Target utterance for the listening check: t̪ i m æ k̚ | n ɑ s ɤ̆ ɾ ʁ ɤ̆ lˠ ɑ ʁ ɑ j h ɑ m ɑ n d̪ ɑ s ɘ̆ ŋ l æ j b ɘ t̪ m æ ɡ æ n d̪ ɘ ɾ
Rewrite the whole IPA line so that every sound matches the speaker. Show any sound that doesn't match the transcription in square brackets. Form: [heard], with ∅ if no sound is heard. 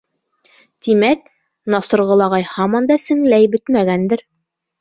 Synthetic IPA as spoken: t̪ i m æ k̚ | n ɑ s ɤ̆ ɾ ʁ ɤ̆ lˠ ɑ ʁ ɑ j h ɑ m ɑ n d̪ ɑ s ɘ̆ ŋ l æ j b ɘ t̪ m æ ɡ æ n d̪ ɘ ɾ

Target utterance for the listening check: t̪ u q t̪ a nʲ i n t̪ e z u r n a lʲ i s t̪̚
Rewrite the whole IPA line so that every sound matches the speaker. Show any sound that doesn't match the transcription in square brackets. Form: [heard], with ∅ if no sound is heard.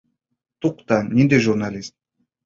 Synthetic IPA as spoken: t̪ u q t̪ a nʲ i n [d̪] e [ʒ] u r n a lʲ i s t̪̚

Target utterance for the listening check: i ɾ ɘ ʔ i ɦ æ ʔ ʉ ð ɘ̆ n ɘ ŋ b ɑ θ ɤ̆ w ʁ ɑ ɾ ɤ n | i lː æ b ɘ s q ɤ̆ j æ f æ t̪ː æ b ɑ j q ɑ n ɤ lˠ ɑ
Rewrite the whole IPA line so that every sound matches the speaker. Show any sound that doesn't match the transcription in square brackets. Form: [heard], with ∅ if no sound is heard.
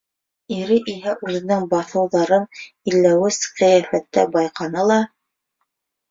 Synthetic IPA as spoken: i ɾ ɘ ʔ i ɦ æ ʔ ʉ ð ɘ̆ n ɘ ŋ b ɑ θ ɤ̆ w [ð] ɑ ɾ ɤ n | i lː æ [w] ɘ s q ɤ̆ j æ f æ t̪ː æ b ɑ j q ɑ n ɤ lˠ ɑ

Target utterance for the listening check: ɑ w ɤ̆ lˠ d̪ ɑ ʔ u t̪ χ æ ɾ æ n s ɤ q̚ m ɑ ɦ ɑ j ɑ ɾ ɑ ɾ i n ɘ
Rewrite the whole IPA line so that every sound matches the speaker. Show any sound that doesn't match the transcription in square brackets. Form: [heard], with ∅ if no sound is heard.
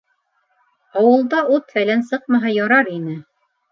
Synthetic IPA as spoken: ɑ w ɤ̆ lˠ d̪ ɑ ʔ u t̪ [f] æ [l] æ n s ɤ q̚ m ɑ ɦ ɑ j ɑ ɾ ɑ ɾ i n ɘ

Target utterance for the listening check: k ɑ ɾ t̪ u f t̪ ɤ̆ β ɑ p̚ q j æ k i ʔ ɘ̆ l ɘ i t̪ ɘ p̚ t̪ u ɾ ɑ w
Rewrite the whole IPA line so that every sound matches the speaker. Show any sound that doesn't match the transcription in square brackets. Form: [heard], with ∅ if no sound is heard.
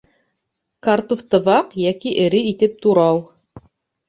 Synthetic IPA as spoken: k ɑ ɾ t̪ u f t̪ ɤ̆ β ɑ [∅] q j æ k i ʔ ɘ̆ [ɾ] ɘ i t̪ ɘ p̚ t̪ u ɾ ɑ w

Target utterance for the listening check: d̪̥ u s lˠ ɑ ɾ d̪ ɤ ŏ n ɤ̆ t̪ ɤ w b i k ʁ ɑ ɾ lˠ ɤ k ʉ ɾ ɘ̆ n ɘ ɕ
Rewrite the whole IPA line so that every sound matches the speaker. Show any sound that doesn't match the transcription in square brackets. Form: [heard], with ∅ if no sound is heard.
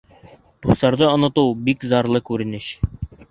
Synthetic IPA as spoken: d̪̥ u s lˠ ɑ ɾ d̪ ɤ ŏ n ɤ̆ t̪ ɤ w b i k [z] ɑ ɾ lˠ ɤ k ʉ ɾ ɘ̆ n ɘ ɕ

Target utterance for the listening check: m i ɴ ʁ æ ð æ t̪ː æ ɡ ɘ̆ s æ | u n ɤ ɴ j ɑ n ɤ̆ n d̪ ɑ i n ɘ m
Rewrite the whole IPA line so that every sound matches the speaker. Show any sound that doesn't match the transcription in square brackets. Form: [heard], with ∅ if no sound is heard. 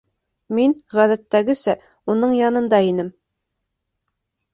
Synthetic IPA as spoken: m i [n] ʁ æ ð æ t̪ː æ ɡ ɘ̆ s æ | u n ɤ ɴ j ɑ n ɤ̆ n d̪ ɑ i n ɘ m

